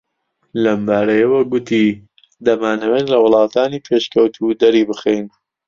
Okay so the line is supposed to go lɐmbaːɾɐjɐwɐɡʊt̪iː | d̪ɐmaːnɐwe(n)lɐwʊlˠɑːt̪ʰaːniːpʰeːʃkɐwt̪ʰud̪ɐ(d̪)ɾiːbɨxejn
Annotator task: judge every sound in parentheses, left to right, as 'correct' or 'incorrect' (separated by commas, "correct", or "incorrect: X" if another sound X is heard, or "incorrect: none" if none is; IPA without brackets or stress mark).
correct, incorrect: none